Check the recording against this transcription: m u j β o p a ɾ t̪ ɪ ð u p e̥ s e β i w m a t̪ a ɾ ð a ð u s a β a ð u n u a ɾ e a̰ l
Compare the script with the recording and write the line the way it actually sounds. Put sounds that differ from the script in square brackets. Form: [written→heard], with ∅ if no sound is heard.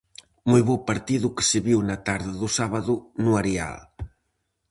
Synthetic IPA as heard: m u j β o p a ɾ t̪ [ɪ→i] ð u [p→k] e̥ s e β i w [m→n] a t̪ a ɾ ð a ð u s a β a ð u n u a ɾ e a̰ l